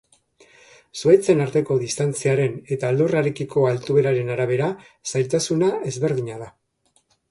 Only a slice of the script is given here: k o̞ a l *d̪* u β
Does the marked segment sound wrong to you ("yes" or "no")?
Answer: yes